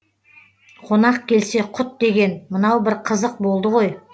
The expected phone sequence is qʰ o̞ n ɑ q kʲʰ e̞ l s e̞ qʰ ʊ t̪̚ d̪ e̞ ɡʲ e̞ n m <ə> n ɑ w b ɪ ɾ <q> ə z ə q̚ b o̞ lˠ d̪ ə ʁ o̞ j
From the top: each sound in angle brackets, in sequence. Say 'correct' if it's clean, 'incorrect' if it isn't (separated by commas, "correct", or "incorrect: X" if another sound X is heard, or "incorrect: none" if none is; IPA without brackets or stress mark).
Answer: correct, incorrect: qʰ